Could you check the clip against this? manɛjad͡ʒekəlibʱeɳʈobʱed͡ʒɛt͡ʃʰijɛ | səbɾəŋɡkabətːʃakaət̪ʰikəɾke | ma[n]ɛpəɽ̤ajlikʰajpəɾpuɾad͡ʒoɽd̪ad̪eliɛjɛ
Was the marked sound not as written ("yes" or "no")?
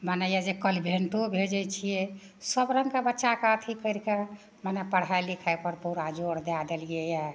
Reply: no